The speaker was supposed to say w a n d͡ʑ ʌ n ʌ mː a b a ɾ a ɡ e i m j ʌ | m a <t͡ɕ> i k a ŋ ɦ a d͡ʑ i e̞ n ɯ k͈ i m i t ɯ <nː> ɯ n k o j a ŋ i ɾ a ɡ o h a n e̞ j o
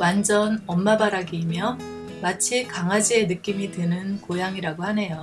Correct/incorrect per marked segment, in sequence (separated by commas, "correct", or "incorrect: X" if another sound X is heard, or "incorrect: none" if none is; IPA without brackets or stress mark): incorrect: t͡ɕʰ, incorrect: n